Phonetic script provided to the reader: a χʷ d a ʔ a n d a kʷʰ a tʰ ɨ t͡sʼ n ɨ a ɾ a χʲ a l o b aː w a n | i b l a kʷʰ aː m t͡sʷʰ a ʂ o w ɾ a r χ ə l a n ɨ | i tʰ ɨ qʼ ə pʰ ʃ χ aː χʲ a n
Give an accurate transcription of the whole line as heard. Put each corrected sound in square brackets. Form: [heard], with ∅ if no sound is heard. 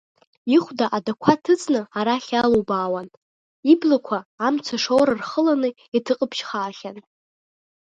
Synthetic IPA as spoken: [i] χʷ d a ʔ a [∅] d a kʷʰ a tʰ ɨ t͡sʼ n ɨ a ɾ a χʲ a l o b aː w a n | i b l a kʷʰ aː m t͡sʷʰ a ʂ o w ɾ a r χ ə l a n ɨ | i tʰ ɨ qʼ ə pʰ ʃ χ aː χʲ a n